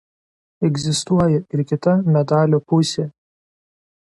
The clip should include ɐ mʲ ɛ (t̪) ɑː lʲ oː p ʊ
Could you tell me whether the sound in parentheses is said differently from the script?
yes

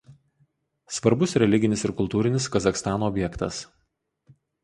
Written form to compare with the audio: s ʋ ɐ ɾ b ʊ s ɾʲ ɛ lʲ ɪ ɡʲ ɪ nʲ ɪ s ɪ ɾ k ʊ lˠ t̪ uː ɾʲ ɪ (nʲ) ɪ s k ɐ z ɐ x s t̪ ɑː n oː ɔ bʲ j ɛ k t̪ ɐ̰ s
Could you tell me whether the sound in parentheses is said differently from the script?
no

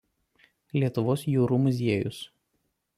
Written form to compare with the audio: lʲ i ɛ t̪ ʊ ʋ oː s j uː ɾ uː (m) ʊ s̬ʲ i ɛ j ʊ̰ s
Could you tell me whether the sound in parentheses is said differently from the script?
no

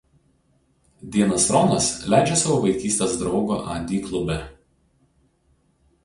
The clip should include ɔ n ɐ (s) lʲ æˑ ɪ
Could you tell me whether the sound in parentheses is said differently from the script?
no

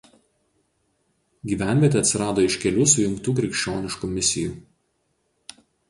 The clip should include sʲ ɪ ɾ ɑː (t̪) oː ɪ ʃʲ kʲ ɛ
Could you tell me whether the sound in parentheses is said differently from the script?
yes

